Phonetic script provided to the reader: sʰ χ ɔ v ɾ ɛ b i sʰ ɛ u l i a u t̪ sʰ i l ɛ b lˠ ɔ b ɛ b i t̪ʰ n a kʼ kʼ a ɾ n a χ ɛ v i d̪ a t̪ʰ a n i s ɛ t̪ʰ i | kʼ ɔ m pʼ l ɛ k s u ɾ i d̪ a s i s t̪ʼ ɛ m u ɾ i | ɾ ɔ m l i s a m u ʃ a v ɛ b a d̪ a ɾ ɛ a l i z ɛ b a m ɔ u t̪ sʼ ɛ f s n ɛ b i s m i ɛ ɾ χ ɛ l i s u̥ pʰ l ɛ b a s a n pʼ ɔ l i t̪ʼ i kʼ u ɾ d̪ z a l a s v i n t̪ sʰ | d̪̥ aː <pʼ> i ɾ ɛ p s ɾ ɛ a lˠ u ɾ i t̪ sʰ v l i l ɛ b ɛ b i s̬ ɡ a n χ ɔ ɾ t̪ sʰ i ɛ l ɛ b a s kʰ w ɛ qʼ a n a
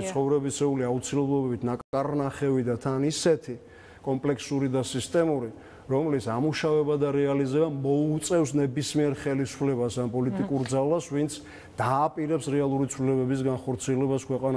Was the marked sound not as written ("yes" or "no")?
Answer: no